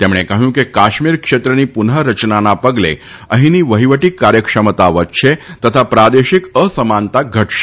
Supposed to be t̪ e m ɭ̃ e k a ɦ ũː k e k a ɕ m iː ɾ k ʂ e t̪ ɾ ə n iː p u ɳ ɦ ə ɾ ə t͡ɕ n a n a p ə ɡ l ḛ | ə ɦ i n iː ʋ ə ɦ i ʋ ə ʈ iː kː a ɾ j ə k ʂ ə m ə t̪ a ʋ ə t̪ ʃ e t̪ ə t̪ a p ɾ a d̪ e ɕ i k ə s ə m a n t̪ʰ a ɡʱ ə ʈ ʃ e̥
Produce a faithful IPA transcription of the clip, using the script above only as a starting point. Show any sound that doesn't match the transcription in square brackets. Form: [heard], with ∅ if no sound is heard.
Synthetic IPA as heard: t̪ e m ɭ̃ e k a ɦ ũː k e k a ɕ m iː ɾ k ʂ e t̪ ɾ ə n iː p u [n] ɦ ə ɾ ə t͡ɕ n a n a p ə ɡ l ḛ | ə ɦ i n iː ʋ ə ɦ i ʋ ə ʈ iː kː a ɾ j ə k ʂ ə m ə t̪ a ʋ ə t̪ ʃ e t̪ ə [t̪ʰ] a p ɾ a d̪ e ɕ i k ə s ə m a n [t̪] a ɡʱ ə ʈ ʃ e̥